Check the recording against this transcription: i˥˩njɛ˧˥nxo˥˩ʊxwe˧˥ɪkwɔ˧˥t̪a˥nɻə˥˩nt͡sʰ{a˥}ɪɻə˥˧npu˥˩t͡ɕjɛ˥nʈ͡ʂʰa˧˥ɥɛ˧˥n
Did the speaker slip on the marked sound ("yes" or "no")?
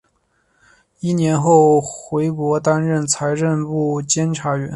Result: yes